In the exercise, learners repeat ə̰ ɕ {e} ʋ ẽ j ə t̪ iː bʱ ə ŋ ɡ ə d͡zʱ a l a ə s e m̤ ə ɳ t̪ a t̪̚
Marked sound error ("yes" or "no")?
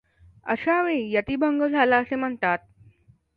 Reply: yes